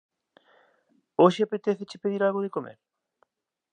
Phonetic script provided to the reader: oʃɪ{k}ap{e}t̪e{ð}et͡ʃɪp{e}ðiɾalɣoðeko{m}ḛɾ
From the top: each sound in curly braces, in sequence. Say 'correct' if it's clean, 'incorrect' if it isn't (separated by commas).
incorrect, correct, incorrect, correct, correct